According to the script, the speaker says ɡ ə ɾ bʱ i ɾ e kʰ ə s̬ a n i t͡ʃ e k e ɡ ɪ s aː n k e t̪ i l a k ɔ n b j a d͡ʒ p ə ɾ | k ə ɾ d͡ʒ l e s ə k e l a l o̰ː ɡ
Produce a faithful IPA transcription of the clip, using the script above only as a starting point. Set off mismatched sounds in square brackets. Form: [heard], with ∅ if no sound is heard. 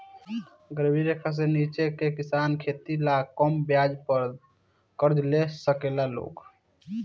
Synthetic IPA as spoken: ɡ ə ɾ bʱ i ɾ e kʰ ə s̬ [e] n i t͡ʃ e k e [k] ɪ s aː n [kʰ] e t̪ i l a k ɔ [m] b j a d͡ʒ p ə ɾ | k ə ɾ d͡ʒ l e s ə k e l a l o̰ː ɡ